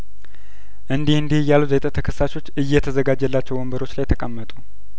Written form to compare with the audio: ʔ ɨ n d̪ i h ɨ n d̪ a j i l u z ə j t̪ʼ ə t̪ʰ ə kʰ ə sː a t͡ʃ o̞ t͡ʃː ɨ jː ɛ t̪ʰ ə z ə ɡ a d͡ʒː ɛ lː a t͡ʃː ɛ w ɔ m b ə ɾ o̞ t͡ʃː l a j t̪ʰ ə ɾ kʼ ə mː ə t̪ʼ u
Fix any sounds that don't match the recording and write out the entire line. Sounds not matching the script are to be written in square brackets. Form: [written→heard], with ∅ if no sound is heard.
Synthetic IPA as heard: ʔ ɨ n d̪ i h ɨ n d̪ [a→i] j [i→a] l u z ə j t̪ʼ ə t̪ʰ ə kʰ ə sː a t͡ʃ o̞ t͡ʃː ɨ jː ɛ t̪ʰ ə z ə ɡ a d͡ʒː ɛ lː a t͡ʃː ɛ w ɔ m b ə ɾ o̞ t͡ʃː l a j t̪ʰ ə [ɾ→∅] kʼ ə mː ə t̪ʼ u